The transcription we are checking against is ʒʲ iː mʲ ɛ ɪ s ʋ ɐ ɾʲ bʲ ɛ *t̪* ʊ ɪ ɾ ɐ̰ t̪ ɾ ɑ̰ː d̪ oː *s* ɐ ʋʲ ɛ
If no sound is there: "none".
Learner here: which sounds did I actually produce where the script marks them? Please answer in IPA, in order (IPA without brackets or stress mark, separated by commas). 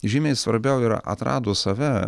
none, s